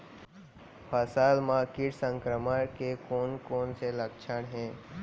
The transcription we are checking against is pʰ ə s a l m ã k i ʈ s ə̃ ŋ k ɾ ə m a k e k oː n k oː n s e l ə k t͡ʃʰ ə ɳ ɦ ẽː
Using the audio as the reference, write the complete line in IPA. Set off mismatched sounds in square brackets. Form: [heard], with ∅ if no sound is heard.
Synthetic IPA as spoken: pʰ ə s a l m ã k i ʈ s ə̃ ŋ k ɾ ə m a k e k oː n k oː n s e l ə k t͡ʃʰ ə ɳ ɦ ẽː